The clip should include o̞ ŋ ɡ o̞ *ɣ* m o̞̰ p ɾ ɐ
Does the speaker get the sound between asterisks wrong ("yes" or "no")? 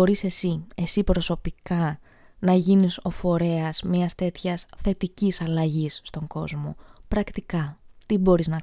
yes